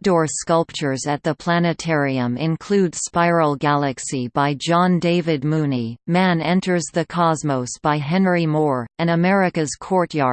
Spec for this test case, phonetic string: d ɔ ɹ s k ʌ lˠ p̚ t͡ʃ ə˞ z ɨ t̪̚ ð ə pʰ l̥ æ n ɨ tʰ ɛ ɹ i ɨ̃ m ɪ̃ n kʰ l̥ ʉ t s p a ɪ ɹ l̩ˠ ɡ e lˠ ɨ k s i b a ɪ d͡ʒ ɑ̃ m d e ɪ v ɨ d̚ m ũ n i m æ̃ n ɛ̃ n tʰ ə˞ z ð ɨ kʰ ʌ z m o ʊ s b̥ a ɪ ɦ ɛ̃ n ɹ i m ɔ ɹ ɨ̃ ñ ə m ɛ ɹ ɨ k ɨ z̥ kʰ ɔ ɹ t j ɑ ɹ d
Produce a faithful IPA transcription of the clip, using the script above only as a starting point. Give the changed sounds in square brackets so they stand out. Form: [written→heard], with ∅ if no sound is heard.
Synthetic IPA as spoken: d ɔ ɹ s k ʌ lˠ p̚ t͡ʃ ə˞ z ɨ t̪̚ ð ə pʰ l̥ æ n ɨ tʰ ɛ ɹ i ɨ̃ m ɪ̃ n kʰ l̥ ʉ [t→d] s p a ɪ ɹ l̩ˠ ɡ [e→æ] lˠ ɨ k s i b a ɪ d͡ʒ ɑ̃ [m→n] d e ɪ v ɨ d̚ m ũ n i m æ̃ n ɛ̃ n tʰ ə˞ z ð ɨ kʰ [ʌ→ɑ] z m o ʊ s b̥ a ɪ ɦ ɛ̃ n ɹ i m ɔ ɹ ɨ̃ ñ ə m ɛ ɹ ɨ k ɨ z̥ kʰ ɔ ɹ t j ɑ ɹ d

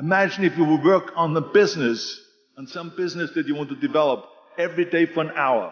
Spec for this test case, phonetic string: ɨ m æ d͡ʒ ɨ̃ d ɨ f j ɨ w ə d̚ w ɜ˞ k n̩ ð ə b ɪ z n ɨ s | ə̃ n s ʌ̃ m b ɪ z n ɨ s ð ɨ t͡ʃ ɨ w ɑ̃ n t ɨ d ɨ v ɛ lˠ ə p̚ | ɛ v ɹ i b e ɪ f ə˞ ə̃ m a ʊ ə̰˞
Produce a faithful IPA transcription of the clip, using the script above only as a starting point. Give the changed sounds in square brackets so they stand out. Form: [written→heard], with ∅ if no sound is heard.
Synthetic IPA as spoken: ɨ m æ d͡ʒ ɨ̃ [d→n] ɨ f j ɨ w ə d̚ w ɜ˞ k n̩ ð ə b ɪ z n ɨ s | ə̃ n s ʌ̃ m b ɪ z n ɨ s ð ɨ t͡ʃ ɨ w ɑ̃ n t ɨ d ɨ v ɛ lˠ ə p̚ | ɛ v ɹ i [b→d] e ɪ f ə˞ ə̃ [m→n] a ʊ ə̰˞

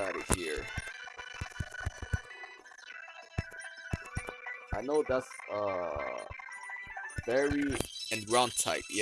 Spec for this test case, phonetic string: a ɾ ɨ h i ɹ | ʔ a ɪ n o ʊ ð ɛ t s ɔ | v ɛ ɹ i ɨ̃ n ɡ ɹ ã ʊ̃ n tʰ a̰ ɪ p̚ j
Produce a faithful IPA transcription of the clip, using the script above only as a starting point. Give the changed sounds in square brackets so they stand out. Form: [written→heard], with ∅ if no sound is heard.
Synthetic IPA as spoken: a ɾ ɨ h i ɹ | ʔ a ɪ n o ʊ ð [ɛ→æ] t s [ɔ→ʌ] | v ɛ ɹ i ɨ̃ n ɡ ɹ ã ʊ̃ n tʰ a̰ ɪ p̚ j

